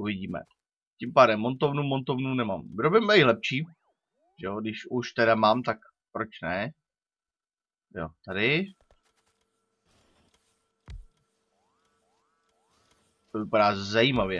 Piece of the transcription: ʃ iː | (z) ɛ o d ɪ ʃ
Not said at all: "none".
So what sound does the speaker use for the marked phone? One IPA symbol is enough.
ʒ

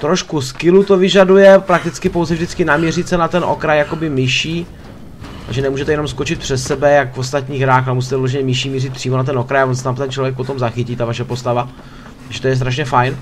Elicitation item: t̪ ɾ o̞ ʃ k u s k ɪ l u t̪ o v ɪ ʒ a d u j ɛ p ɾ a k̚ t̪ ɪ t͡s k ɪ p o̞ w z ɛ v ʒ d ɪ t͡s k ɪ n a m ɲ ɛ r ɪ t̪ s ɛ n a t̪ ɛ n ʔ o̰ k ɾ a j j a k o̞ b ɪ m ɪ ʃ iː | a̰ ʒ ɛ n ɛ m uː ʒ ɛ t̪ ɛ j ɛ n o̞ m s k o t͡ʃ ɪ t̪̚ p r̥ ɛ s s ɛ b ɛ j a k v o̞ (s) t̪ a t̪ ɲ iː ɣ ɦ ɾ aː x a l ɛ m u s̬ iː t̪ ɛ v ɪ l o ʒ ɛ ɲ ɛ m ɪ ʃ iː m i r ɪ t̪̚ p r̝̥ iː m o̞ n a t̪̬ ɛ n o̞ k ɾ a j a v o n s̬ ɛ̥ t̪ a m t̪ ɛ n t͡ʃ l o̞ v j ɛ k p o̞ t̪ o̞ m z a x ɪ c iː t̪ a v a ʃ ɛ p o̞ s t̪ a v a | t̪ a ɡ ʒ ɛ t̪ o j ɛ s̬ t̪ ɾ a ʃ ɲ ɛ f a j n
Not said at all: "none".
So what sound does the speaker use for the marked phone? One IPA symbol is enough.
s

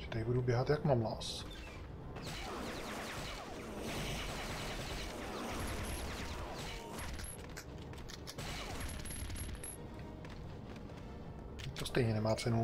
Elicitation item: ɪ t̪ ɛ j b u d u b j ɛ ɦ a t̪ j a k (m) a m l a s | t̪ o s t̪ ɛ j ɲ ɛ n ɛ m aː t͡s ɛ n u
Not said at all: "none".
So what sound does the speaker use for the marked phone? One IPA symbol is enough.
m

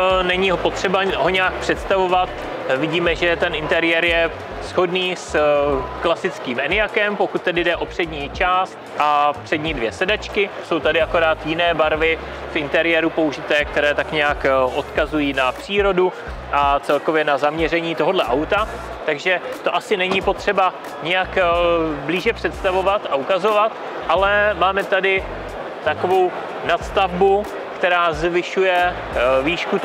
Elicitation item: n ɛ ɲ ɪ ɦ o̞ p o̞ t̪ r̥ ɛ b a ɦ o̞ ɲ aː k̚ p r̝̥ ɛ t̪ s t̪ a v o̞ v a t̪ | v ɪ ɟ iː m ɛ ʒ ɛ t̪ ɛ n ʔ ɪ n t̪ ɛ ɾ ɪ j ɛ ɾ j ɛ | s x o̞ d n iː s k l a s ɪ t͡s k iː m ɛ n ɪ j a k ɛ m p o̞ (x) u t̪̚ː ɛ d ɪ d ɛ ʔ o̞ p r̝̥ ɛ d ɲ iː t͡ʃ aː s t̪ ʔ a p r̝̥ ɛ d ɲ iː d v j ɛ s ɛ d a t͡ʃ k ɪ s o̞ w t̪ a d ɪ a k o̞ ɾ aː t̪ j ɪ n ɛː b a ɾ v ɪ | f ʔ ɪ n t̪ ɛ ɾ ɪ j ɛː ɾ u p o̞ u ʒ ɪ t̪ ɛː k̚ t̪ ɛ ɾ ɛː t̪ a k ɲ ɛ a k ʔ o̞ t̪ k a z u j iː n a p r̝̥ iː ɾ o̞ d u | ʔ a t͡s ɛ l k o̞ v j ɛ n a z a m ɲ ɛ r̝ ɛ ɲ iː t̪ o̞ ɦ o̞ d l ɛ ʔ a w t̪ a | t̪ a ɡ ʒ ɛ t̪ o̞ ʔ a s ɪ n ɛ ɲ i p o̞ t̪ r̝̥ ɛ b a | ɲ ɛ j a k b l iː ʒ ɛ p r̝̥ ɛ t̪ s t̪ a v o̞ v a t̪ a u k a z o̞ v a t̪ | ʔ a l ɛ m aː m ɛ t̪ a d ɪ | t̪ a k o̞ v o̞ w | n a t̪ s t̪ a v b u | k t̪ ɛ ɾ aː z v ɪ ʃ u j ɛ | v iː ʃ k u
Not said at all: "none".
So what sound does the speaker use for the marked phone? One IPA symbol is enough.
k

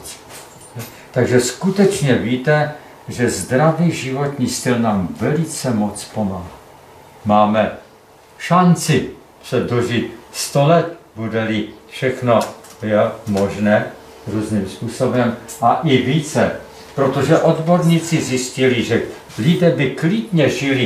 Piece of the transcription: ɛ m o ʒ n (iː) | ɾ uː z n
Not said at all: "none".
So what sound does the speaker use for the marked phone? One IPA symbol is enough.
ɛː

